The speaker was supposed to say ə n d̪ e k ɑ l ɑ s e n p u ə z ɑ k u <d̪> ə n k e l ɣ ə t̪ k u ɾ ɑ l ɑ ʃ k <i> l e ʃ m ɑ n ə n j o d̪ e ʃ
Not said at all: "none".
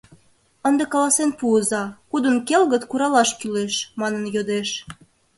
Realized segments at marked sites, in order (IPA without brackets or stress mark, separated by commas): d̪, y